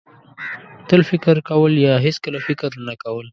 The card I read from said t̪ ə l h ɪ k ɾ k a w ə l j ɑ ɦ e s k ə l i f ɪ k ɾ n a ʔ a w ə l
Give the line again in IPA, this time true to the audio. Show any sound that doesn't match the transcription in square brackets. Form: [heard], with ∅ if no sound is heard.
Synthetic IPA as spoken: t̪ ə l [f] ɪ k ɾ k a w ə l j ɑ ɦ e s k ə l [a] f ɪ k ɾ n a [k] a w ə l

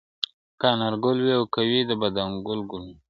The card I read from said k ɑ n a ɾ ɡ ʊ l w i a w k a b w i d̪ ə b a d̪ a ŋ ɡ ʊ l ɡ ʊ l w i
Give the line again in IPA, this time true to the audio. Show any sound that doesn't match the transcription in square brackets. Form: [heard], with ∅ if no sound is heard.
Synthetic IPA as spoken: k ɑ n a ɾ ɡ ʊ l w i a w k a [∅] w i d̪ ə b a d̪ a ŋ ɡ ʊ l ɡ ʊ l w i

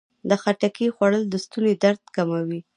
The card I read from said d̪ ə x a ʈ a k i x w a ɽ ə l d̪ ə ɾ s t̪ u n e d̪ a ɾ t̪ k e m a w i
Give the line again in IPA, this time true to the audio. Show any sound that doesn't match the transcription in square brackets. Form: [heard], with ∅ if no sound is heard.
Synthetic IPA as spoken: d̪ ə x a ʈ a k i x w a ɽ ə l d̪ ə [∅] s t̪ u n e d̪ a ɾ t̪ k [a] m a w i

